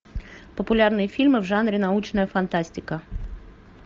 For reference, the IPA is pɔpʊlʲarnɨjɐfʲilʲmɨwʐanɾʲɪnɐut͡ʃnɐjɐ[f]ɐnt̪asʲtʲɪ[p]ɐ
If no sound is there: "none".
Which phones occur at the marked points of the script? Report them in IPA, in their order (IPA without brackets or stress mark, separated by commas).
f, k